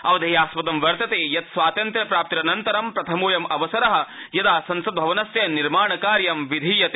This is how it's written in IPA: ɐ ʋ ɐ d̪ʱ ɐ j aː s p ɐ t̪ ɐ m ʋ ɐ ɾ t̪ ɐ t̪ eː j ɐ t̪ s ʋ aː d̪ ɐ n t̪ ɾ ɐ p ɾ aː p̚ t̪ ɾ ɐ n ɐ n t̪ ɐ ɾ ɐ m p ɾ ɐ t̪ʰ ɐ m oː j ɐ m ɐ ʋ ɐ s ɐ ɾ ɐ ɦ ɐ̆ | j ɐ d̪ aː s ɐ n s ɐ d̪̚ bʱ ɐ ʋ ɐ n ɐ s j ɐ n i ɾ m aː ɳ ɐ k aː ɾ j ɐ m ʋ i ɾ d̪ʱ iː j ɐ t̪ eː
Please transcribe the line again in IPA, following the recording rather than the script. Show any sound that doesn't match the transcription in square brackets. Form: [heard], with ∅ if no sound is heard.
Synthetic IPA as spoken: ɐ ʋ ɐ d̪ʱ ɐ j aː s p ɐ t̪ ɐ m ʋ ɐ ɾ t̪ ɐ t̪ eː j ɐ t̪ s ʋ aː [t̪] ɐ n t̪ ɾ ɐ p ɾ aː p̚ t̪ ɾ ɐ n ɐ n t̪ ɐ ɾ ɐ m p ɾ ɐ t̪ʰ ɐ m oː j ɐ m ɐ ʋ ɐ s ɐ ɾ ɐ ɦ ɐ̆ | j ɐ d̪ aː s ɐ n s ɐ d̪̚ bʱ ɐ ʋ ɐ n ɐ s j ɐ n i ɾ m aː ɳ ɐ k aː ɾ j ɐ m ʋ i [∅] d̪ʱ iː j ɐ t̪ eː